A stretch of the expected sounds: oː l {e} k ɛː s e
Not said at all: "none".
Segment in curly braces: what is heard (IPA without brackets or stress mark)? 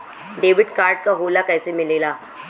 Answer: a